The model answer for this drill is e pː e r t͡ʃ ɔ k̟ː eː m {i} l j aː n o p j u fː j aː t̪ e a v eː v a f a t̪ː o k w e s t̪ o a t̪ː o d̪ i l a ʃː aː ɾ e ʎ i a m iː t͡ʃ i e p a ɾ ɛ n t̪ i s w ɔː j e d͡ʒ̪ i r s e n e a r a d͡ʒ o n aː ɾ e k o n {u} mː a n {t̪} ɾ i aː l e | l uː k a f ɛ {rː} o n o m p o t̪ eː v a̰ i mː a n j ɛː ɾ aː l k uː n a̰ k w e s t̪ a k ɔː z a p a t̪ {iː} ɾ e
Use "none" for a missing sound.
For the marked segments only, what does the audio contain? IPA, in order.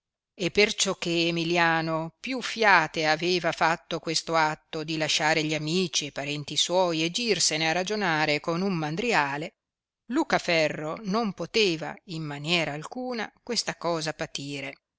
i, u, d̪, rː, iː

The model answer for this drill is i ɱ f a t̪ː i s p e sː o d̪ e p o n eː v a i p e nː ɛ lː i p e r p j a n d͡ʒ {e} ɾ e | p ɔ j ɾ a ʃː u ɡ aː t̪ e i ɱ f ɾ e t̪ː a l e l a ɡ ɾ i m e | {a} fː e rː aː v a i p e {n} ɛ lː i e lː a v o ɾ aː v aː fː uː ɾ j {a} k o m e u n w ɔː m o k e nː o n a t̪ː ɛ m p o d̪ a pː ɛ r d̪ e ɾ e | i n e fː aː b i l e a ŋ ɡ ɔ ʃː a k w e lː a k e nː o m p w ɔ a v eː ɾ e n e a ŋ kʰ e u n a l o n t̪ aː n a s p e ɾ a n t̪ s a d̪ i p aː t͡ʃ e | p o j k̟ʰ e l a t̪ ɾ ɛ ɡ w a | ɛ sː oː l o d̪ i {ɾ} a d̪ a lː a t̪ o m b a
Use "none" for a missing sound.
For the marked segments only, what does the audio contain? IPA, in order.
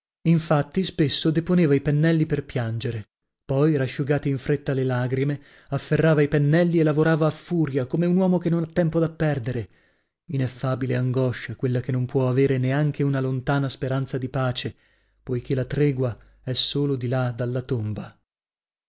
e, a, nː, a, l

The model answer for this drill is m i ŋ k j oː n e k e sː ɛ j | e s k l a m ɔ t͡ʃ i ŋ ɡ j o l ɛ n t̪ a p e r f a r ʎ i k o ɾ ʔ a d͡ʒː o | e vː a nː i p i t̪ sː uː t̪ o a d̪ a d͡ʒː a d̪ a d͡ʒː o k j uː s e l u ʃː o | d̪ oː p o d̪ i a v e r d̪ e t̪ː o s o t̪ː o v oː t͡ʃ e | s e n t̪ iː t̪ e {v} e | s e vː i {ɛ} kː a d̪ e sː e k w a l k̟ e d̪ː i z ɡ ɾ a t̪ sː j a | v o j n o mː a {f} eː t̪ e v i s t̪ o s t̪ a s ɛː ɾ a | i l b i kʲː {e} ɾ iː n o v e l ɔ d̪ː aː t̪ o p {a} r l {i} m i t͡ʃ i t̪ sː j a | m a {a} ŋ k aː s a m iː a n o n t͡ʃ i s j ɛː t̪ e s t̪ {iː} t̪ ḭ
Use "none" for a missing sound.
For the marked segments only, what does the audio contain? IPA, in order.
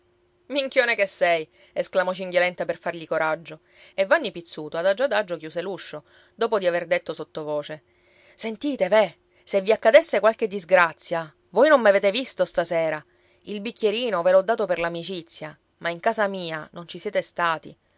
v, a, v, e, e, a, i, aː

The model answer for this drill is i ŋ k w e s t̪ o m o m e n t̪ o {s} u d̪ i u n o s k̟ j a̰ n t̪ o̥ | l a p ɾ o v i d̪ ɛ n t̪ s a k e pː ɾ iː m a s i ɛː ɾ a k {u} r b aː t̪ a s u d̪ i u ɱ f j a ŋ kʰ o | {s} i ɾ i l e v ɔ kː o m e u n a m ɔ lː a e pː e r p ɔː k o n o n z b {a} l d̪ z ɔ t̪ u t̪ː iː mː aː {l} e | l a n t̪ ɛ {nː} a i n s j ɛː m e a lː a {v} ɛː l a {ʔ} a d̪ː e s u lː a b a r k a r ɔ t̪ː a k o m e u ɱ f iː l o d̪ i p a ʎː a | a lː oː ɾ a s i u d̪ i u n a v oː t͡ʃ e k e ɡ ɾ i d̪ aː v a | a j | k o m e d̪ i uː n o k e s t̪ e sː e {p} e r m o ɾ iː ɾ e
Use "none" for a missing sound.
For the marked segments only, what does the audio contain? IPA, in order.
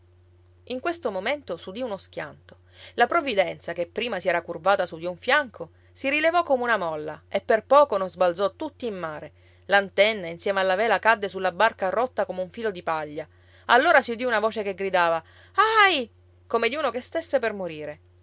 s, u, s, a, ɾ, nː, v, k, p

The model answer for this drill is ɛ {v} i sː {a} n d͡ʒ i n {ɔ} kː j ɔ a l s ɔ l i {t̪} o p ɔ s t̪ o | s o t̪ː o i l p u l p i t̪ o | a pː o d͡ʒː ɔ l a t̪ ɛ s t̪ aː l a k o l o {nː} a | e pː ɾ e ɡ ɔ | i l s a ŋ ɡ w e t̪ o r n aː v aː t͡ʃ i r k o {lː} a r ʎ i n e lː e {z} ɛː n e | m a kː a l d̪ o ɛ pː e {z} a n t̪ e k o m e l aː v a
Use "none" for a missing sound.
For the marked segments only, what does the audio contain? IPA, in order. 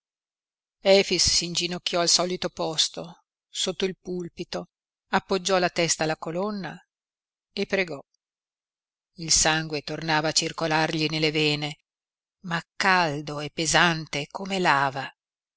f, i, o, t̪, nː, l, v, z

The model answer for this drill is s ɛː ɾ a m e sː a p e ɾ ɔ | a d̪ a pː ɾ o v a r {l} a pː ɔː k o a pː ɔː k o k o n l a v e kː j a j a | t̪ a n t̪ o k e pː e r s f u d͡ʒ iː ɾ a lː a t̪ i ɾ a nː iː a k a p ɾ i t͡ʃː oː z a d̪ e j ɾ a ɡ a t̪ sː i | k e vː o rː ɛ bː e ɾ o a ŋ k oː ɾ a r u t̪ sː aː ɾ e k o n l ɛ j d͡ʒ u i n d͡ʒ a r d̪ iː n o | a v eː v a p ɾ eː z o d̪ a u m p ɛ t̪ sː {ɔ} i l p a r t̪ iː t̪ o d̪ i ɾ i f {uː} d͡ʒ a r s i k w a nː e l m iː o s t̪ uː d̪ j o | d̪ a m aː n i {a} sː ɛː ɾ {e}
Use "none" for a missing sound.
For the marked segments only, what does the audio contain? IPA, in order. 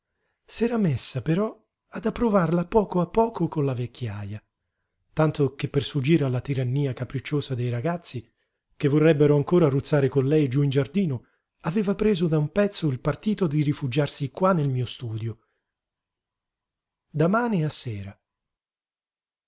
l, o, u, a, a

